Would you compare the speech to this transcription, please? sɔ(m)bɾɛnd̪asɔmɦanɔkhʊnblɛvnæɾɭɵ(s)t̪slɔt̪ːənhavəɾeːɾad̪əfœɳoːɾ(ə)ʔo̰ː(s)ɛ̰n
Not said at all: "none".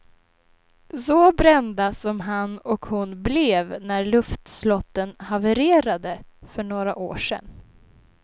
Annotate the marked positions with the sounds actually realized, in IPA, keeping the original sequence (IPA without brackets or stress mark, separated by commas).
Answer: none, f, a, ʂ